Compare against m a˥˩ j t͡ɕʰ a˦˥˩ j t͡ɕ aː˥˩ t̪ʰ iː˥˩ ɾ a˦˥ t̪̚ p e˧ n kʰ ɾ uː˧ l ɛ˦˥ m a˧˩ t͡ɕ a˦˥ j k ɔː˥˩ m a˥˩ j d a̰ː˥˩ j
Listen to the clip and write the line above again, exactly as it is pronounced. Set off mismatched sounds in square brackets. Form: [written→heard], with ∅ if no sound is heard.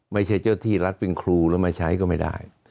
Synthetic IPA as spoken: m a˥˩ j t͡ɕʰ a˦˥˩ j t͡ɕ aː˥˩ t̪ʰ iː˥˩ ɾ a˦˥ t̪̚ p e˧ n kʰ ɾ uː˧ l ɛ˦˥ m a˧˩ [t͡ɕ→t͡ɕʰ] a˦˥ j k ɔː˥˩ m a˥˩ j d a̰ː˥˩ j